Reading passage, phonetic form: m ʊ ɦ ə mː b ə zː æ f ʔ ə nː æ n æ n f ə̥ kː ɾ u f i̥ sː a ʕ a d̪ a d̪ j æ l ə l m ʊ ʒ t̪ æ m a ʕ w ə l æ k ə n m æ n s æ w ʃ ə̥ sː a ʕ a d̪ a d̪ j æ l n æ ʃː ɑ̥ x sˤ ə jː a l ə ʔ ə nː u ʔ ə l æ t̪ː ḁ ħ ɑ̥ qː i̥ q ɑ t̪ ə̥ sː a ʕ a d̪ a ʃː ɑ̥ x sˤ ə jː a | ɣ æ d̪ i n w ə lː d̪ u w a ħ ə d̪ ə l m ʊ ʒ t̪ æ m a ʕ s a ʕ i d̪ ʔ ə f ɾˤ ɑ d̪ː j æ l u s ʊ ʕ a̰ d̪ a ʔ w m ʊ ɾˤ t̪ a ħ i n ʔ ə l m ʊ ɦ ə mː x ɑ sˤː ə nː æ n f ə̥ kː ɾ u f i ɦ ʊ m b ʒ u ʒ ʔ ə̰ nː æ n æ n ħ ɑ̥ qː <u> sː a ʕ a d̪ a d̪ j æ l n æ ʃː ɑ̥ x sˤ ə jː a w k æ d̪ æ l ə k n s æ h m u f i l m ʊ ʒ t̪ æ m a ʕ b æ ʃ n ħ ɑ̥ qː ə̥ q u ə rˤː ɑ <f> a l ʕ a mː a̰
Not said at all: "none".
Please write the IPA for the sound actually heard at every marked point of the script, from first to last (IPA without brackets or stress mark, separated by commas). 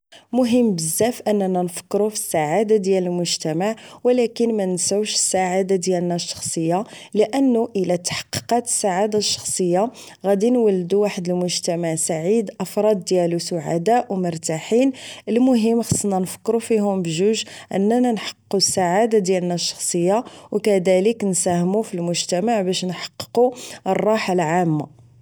u, ħ